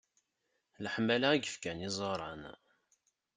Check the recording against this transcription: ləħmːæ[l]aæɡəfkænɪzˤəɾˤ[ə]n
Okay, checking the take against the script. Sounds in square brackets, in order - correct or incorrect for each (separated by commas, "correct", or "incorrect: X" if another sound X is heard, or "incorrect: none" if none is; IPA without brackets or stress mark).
correct, incorrect: ɑ